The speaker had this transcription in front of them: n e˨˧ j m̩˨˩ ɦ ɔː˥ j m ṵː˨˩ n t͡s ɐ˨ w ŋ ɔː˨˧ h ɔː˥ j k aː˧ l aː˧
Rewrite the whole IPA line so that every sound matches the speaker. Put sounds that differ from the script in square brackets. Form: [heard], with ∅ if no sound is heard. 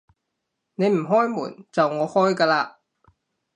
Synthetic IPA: n e˨˧ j m̩˨˩ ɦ ɔː˥ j m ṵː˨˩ n t͡s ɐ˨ w ŋ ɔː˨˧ h ɔː˥ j k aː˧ l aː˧